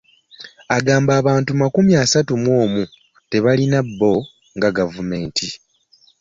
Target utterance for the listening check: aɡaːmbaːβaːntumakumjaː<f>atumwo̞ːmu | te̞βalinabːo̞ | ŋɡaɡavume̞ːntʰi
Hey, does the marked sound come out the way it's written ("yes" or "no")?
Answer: no